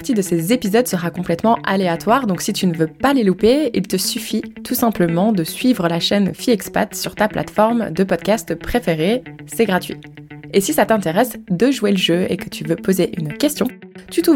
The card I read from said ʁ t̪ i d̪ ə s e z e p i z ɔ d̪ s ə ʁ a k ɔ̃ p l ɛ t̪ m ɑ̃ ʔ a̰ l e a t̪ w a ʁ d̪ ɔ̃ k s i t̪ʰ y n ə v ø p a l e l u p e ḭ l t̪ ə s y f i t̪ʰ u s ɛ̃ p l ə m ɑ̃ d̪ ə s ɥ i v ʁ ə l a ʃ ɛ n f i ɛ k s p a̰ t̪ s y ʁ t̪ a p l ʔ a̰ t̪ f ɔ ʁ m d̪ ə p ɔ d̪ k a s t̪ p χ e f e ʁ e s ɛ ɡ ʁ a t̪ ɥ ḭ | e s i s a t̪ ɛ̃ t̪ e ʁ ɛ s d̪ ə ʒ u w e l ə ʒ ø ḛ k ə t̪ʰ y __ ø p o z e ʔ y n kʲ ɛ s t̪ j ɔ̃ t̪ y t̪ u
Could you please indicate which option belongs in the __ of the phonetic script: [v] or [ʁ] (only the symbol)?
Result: v